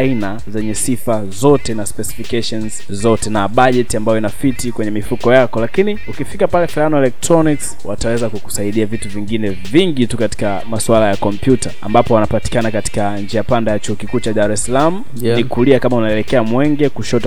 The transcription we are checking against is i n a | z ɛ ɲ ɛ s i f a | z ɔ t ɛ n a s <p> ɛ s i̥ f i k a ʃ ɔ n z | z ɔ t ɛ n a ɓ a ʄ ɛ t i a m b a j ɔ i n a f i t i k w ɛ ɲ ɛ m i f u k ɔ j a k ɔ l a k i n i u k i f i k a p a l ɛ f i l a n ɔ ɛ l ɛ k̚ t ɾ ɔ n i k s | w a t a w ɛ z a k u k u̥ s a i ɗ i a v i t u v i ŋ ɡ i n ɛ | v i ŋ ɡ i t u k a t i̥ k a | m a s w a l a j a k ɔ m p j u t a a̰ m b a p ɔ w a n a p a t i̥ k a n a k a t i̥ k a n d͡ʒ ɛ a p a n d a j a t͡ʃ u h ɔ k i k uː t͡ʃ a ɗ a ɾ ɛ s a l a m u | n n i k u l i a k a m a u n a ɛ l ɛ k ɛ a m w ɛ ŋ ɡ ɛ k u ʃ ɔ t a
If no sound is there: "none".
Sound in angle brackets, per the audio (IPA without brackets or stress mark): p